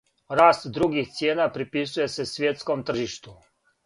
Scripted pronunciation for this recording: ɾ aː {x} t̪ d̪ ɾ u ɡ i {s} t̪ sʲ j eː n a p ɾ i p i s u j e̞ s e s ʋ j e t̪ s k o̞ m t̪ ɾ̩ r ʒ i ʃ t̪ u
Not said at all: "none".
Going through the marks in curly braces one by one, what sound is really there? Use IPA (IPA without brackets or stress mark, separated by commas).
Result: s, x